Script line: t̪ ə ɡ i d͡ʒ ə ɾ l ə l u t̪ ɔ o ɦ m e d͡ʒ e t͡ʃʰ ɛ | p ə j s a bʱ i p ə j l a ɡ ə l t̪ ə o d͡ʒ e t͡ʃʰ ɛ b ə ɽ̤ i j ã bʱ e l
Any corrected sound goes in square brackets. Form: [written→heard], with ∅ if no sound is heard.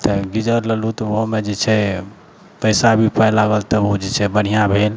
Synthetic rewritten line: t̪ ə ɡ i d͡ʒ ə ɾ l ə l u t̪ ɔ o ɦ m e d͡ʒ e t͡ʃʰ ɛ | p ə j s a bʱ i p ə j l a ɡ ə l t̪ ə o d͡ʒ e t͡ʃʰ ɛ b ə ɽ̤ i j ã bʱ e l